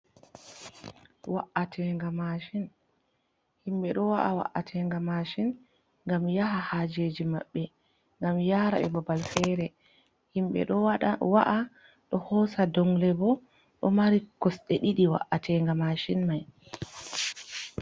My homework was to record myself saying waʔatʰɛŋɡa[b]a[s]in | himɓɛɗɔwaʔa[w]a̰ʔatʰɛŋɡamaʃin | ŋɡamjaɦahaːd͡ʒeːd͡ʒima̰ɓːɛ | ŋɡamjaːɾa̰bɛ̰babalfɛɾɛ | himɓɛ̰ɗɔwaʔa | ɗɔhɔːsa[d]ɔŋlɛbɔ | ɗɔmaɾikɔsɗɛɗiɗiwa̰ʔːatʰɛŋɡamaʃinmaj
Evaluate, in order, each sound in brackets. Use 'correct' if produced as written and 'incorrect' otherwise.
incorrect, incorrect, correct, correct

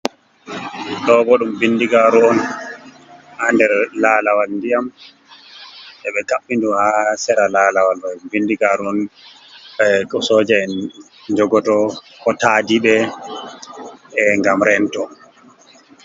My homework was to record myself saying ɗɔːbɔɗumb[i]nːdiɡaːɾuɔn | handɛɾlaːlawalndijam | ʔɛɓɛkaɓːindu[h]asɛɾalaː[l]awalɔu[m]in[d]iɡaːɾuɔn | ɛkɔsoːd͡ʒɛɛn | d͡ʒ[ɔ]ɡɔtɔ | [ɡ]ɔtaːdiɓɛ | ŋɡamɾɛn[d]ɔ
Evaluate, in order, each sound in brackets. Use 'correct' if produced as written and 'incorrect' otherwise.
correct, correct, correct, incorrect, correct, correct, incorrect, incorrect

